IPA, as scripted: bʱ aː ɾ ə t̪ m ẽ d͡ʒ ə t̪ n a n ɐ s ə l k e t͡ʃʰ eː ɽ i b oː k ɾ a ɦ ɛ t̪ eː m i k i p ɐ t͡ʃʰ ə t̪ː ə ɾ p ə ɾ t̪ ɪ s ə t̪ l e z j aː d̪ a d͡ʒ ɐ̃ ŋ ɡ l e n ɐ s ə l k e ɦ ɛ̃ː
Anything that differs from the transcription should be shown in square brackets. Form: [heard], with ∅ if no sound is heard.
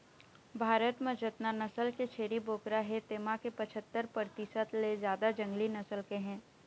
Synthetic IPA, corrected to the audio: bʱ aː ɾ ə t̪ m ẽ d͡ʒ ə t̪ n a n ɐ s ə l k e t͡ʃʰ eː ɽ i b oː k ɾ a ɦ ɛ t̪ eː m [a] k [e] p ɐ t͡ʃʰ ə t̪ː ə ɾ p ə ɾ t̪ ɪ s ə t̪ l e z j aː d̪ a d͡ʒ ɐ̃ ŋ ɡ l [i] n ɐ s ə l k e ɦ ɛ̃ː